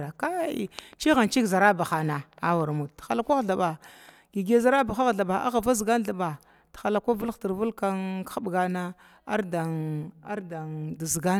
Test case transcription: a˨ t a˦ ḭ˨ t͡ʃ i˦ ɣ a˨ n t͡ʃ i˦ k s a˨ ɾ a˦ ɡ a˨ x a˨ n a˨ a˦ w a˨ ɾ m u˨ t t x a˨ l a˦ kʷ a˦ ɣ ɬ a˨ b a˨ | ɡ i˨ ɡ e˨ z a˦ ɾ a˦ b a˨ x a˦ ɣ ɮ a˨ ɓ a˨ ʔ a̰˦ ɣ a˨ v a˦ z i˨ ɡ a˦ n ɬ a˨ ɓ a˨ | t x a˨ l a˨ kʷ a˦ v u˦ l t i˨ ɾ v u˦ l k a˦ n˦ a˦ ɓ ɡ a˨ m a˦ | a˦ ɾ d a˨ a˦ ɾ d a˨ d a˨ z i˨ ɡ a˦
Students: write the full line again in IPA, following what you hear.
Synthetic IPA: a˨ k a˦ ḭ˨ t͡ʃ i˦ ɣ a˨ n t͡ʃ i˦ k z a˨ ɾ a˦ b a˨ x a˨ n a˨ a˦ w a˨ ɾ m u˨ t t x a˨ l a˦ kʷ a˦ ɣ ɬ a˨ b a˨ | ɡ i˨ ɡ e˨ z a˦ ɾ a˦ b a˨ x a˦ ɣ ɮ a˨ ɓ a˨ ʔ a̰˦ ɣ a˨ v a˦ z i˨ ɡ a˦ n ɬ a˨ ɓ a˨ | t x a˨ l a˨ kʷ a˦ v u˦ l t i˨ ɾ v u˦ l k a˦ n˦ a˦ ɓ ɡ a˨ n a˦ | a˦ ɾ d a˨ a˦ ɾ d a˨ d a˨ z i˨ ɡ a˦